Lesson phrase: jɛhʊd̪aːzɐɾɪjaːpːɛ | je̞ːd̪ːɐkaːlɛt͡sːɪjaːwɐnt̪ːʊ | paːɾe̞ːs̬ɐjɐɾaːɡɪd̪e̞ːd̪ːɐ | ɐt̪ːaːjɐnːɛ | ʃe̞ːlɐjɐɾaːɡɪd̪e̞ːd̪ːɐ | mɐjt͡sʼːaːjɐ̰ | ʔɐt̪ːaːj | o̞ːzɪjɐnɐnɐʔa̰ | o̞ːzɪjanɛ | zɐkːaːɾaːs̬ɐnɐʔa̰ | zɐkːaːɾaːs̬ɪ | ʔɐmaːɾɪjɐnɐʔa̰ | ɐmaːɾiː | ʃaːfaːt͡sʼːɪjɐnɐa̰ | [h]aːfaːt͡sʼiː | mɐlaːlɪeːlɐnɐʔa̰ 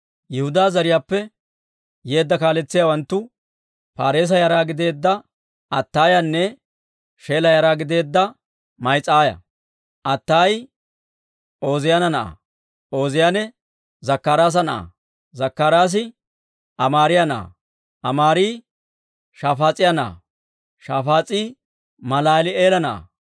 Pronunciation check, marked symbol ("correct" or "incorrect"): incorrect